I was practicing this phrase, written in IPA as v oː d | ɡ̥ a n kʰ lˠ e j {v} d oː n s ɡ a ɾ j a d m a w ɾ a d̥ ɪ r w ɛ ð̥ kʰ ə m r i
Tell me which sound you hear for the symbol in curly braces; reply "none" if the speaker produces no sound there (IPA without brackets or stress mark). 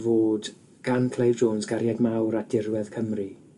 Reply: v